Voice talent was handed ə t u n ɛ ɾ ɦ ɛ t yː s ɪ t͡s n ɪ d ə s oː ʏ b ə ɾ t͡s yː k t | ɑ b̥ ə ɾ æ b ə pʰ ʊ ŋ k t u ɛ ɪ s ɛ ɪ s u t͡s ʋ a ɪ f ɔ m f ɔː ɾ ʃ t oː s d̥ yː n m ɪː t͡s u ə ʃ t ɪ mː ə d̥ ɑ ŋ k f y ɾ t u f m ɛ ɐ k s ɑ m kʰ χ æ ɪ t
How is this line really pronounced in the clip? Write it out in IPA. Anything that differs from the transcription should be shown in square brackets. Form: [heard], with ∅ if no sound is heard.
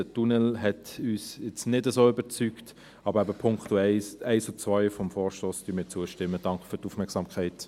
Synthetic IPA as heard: ə t u n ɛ [l] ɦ ɛ t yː s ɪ t͡s n ɪ d ə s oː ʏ b ə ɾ t͡s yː k t | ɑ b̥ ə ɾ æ b ə pʰ ʊ ŋ k t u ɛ ɪ s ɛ ɪ s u t͡s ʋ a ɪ f ɔ m f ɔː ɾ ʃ t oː s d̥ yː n m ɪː t͡s u ə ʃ t ɪ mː ə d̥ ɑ ŋ k f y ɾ t u f m ɛ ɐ k s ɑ m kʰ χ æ ɪ t

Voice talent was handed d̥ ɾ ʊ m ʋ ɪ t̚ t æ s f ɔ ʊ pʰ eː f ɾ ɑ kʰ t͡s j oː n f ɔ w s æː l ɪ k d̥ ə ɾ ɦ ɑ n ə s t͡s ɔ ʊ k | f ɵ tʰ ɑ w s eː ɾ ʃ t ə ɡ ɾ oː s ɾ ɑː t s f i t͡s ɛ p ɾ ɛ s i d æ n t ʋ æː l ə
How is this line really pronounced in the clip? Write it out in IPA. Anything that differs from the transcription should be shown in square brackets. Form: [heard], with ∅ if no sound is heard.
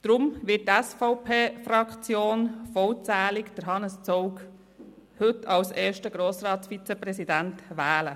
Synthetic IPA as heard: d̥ ɾ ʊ m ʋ ɪ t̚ t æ s f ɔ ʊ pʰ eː f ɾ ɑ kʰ t͡s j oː n f ɔ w [t͡s] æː l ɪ k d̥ ə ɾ ɦ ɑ n ə s t͡s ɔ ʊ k | [h] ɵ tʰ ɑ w s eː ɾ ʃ t ə ɡ ɾ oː s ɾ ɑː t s f i t͡s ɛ p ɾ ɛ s i d æ n t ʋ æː l ə

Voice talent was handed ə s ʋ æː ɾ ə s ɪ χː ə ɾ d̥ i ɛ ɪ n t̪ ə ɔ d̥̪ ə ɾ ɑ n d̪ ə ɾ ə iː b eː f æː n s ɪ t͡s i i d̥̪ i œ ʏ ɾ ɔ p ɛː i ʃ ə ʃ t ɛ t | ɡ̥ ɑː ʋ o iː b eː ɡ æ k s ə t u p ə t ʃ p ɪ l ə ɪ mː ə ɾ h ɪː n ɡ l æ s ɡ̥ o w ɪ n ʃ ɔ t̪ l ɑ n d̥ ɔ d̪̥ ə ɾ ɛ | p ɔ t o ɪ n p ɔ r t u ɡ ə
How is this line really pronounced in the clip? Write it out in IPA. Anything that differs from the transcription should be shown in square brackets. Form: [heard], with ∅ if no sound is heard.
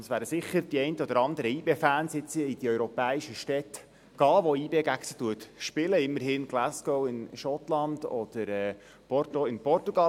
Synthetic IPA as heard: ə s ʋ æː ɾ ə s ɪ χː ə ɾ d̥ i ɛ ɪ n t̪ ə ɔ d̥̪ ə ɾ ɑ n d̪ ə ɾ ə iː b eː f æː n s ɪ t͡s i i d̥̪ i œ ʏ ɾ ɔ p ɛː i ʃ ə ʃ t ɛ t | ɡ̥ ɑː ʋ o iː b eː ɡ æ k s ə t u [∅] ə t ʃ p ɪ l ə ɪ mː ə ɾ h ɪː n ɡ l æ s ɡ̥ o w ɪ n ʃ ɔ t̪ l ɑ n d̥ ɔ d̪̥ ə ɾ ɛ | p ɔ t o ɪ n p ɔ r t u ɡ [ɑ]

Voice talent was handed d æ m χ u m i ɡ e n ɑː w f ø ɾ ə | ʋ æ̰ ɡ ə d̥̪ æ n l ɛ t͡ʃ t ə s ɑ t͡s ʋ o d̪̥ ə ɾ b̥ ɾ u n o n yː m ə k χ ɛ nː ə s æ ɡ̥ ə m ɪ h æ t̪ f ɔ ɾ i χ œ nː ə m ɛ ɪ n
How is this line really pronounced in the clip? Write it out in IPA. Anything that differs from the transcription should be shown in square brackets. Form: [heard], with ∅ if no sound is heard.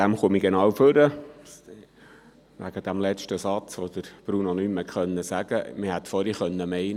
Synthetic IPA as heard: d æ m χ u m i ɡ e n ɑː w f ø ɾ ə | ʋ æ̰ ɡ ə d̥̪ æ [m] l ɛ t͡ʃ t ə s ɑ t͡s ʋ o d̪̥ ə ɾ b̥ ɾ u n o n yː m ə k χ [œ] nː ə s æ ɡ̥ ə m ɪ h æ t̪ f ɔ ɾ i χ œ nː ə m ɛ ɪ n

